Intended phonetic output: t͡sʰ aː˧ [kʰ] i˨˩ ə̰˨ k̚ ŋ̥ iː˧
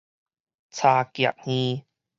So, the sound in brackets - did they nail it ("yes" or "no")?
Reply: no